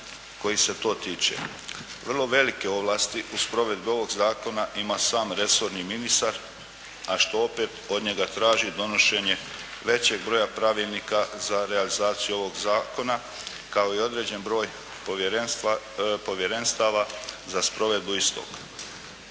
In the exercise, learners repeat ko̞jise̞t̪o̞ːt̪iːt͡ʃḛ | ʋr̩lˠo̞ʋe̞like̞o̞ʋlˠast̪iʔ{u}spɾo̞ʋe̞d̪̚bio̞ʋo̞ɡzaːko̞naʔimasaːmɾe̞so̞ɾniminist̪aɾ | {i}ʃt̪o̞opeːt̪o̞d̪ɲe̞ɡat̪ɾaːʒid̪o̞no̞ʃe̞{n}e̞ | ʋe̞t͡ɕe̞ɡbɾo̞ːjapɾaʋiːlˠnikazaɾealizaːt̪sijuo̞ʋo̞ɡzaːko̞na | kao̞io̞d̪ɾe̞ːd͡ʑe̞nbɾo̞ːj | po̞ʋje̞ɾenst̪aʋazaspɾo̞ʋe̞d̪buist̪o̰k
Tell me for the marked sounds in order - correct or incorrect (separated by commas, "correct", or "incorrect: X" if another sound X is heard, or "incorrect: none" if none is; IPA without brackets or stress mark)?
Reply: correct, incorrect: a, incorrect: ɲ